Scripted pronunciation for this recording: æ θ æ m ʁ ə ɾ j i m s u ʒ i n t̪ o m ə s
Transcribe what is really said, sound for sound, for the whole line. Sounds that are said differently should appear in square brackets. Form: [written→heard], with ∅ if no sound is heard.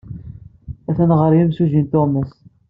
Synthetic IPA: æ θ æ [m→n] ʁ ə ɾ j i m s u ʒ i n t̪ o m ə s